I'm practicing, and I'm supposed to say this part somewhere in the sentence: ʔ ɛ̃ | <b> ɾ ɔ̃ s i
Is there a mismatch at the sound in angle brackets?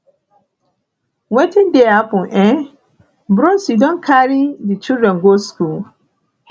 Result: no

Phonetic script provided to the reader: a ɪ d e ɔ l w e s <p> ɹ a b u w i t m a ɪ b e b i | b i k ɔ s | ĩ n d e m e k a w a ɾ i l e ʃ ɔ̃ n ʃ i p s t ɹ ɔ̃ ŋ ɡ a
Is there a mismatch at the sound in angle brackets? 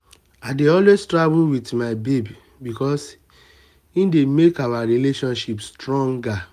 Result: yes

